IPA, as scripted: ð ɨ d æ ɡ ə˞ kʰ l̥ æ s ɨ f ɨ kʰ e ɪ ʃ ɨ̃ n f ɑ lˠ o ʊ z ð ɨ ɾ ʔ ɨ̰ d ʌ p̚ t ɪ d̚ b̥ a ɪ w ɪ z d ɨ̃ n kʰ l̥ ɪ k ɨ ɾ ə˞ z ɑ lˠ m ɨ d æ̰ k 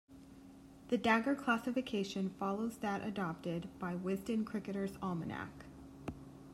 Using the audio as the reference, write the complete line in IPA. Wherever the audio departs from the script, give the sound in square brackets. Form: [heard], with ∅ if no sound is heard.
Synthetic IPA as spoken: ð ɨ d æ ɡ ə˞ kʰ l̥ æ s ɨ f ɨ kʰ e ɪ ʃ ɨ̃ n f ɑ lˠ o ʊ z ð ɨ ɾ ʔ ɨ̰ d [ɑ] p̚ t ɪ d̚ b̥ a ɪ w ɪ z d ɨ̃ n kʰ [ɹ̥] ɪ k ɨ ɾ ə˞ z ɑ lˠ m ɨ [n] æ̰ k